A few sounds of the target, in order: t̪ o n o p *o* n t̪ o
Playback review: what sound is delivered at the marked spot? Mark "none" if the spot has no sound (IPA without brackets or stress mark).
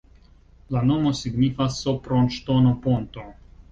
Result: o